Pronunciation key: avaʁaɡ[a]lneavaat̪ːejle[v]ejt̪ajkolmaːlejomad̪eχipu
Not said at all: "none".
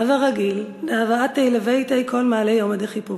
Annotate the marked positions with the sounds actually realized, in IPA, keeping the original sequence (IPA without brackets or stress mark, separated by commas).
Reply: i, v